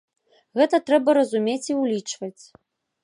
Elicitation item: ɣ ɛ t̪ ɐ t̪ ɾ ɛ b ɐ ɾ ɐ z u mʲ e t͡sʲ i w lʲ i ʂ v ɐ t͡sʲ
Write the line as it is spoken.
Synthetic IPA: ɣ ɛ t̪ ɐ t̪ ɾ ɛ b ɐ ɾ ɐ z u mʲ e t͡sʲ i w lʲ i t͡ʂ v ɐ t͡sʲ